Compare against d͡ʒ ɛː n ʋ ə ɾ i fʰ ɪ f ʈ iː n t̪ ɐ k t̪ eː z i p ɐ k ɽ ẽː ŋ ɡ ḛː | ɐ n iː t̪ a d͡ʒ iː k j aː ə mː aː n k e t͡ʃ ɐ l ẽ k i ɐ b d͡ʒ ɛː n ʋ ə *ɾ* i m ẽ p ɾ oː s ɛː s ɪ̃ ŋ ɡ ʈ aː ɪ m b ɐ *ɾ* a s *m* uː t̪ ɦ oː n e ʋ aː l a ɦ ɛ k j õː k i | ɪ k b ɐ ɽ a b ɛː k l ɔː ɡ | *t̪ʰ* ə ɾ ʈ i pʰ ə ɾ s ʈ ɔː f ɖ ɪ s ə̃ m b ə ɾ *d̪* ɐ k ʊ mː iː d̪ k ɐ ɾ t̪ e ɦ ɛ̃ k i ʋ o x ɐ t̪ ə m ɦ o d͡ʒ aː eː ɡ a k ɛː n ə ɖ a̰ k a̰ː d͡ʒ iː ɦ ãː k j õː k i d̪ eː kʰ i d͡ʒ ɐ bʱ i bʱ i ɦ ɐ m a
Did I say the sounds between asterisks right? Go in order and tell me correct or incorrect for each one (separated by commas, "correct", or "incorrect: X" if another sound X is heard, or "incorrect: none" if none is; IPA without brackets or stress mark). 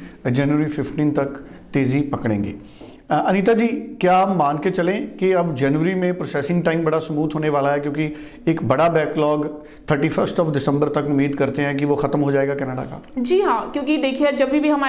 correct, incorrect: ɽ, correct, correct, incorrect: t̪